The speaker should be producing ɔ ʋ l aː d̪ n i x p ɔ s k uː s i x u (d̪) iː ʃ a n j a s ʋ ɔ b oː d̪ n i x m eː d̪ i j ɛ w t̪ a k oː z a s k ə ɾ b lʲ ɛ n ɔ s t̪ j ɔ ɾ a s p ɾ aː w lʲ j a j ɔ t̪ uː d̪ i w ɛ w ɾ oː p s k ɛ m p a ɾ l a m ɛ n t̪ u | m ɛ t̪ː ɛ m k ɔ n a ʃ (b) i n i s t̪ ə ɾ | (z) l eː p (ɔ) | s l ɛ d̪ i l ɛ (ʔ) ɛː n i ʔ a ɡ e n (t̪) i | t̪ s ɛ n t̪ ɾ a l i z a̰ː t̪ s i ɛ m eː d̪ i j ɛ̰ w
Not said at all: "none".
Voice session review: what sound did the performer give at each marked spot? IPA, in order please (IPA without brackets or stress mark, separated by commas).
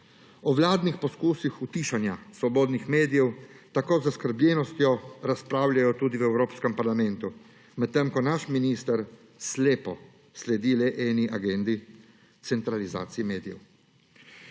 t̪, m, s, ɔ, ʔ, d̪